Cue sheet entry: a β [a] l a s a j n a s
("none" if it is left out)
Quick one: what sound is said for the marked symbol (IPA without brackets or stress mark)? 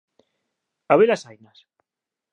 e